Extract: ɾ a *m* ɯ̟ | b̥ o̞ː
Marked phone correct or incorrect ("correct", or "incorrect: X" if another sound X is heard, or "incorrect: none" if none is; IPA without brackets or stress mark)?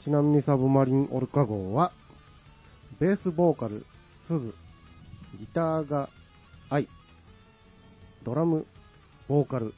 correct